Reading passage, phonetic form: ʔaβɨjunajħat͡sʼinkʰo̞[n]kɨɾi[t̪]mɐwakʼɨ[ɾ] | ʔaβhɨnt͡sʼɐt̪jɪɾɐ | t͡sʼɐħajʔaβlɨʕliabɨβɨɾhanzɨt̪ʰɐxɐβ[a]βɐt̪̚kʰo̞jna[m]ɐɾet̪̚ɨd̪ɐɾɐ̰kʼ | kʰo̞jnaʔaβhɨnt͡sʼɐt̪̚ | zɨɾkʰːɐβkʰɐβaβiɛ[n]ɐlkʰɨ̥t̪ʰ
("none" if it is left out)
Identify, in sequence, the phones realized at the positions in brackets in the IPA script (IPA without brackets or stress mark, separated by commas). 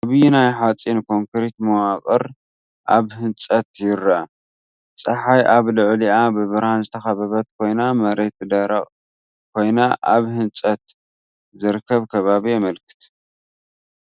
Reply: ŋ, t̪, ɾ, ɐ, m, m